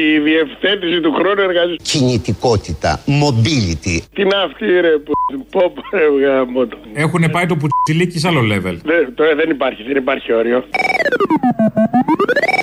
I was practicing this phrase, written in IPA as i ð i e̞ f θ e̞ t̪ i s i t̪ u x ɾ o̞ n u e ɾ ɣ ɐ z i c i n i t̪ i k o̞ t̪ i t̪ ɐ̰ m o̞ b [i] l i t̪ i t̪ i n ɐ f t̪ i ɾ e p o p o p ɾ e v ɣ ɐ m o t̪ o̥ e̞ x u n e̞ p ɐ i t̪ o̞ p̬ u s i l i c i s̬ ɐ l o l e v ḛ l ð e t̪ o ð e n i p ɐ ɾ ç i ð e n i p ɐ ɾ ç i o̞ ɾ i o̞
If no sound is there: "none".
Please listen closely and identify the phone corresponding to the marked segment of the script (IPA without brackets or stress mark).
i